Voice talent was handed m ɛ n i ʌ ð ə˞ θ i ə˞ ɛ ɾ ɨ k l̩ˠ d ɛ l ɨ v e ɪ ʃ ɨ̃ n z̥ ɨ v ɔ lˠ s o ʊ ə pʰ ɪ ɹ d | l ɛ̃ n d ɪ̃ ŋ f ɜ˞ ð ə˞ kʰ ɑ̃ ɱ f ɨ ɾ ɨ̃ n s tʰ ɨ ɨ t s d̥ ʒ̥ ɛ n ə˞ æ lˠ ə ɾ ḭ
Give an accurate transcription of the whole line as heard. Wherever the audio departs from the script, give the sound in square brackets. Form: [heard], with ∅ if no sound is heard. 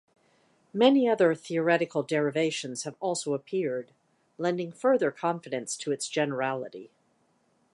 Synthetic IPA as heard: m ɛ n i ʌ ð ə˞ θ i ə˞ ɛ ɾ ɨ k l̩ˠ d ɛ [ɹ] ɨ v e ɪ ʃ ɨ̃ n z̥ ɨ v ɔ lˠ s o ʊ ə pʰ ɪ ɹ d | l ɛ̃ n d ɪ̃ ŋ f ɜ˞ ð ə˞ kʰ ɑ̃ ɱ f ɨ ɾ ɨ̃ n s tʰ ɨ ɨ t s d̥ ʒ̥ ɛ n ə˞ æ lˠ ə ɾ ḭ